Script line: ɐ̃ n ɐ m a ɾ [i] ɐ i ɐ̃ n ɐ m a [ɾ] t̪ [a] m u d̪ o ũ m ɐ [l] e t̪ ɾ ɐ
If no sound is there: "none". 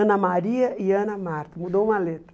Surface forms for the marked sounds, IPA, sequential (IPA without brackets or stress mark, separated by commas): i, ɾ, ɐ, l